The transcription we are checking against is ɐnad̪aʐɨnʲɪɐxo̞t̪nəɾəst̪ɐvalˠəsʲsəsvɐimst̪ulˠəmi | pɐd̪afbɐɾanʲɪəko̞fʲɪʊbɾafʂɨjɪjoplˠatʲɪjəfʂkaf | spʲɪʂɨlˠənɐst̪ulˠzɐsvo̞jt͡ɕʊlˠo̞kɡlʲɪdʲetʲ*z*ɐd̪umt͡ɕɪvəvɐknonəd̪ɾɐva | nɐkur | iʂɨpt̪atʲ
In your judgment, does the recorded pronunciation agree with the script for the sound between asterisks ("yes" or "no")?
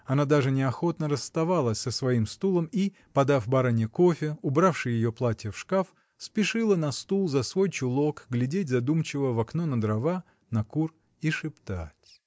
yes